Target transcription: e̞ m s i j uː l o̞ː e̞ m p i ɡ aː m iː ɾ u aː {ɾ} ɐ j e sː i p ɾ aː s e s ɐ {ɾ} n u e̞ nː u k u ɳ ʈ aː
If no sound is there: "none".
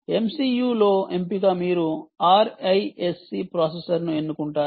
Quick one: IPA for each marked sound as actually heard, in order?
ɾ, ɾ

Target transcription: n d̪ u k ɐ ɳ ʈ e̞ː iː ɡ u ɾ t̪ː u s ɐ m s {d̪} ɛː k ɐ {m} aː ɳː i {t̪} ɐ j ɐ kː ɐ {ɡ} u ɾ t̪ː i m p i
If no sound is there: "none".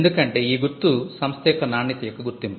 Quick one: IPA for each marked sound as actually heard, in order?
t̪, n, t̪, ɡ

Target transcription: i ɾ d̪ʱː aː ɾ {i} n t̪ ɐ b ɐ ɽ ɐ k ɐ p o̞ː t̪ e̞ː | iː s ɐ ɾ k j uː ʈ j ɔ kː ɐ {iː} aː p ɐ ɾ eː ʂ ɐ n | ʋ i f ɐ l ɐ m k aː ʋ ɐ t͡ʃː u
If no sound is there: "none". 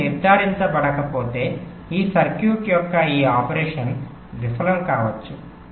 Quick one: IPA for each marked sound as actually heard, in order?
i, iː

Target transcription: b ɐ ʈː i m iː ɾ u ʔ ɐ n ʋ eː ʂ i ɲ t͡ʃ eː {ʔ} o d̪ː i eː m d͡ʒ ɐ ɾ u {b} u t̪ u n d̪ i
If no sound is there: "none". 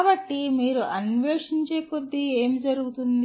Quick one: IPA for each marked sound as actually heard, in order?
k, ɡ

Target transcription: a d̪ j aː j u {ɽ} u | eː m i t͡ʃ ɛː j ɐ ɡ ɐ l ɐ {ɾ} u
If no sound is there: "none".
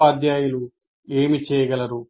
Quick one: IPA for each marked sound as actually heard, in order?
l, ɾ

